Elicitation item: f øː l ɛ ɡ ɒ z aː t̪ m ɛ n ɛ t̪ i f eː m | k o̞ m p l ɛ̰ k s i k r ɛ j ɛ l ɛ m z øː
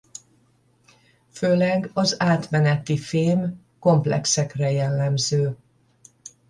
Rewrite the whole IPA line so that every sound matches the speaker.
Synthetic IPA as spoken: f øː l ɛ ɡ ɒ z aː t̪ m ɛ n ɛ t̪ i f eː m | k o̞ m p l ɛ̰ k s ɛ k r ɛ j ɛ lː ɛ m z øː